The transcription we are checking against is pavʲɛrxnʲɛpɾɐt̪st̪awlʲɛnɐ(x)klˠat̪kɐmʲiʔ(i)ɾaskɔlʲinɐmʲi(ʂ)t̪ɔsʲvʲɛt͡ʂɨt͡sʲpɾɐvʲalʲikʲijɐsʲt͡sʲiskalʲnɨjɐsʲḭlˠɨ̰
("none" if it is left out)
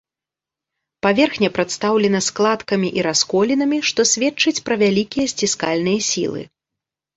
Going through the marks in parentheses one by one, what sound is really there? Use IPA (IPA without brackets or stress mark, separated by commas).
s, i, ʂ